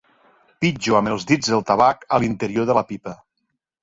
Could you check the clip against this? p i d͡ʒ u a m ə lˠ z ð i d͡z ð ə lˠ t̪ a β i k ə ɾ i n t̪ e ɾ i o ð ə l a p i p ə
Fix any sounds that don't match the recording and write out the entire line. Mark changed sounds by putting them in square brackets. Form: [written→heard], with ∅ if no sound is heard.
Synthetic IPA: p i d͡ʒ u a m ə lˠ z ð i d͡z ð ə lˠ t̪ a β [i→a] k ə [ɾ→l] i n t̪ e ɾ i o ð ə l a p i p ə